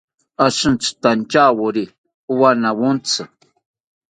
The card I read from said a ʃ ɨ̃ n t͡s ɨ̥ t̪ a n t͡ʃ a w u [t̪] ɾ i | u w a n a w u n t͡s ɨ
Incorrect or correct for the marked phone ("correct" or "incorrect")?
incorrect